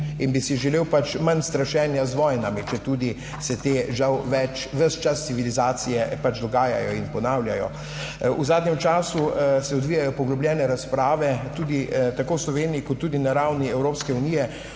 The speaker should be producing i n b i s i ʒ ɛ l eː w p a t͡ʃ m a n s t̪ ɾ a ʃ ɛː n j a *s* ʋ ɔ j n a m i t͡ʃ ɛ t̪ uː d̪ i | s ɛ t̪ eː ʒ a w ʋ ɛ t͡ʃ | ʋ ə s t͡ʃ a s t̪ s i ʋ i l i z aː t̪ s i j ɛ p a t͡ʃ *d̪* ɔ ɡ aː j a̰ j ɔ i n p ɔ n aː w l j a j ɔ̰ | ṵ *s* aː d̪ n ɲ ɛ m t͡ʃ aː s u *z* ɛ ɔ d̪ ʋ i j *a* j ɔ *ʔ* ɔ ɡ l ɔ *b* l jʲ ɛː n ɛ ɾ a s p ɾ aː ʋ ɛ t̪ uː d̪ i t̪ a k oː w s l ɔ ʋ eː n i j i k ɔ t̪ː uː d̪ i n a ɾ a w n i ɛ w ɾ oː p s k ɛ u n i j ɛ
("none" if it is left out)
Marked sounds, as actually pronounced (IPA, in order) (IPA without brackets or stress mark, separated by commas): z, d̪, z, s, a, p, b